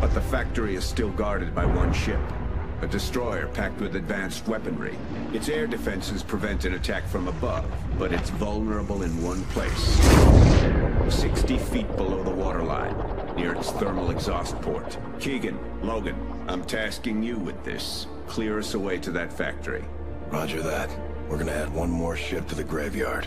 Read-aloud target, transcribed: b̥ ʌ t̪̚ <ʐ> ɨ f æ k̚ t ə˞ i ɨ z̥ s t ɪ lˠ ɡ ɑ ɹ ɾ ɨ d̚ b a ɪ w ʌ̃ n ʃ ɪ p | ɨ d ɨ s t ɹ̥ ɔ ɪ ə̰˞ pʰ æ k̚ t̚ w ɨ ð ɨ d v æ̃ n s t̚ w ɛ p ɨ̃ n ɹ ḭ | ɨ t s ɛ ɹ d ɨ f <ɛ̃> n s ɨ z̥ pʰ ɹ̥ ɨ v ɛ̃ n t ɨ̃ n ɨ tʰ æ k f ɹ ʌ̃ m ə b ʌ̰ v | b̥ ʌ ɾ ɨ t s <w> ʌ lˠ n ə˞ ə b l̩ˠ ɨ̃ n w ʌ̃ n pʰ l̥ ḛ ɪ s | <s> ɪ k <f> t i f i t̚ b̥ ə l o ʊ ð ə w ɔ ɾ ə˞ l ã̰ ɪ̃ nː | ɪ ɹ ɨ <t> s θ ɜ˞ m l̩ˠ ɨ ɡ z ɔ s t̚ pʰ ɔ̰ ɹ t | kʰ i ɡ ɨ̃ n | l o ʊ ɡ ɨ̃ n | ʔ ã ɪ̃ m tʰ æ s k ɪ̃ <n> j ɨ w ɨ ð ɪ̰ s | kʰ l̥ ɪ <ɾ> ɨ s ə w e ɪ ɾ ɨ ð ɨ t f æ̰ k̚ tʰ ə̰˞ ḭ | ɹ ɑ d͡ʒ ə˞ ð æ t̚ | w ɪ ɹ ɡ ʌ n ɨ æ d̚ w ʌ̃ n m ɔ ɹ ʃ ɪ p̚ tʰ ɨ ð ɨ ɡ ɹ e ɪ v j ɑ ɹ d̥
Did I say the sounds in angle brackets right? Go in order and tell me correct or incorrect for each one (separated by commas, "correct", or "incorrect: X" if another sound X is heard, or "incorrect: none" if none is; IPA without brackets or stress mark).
incorrect: ð, correct, incorrect: v, correct, incorrect: s, correct, incorrect: ŋ, incorrect: ɹ